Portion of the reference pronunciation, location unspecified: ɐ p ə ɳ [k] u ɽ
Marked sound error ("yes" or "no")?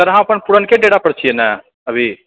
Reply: yes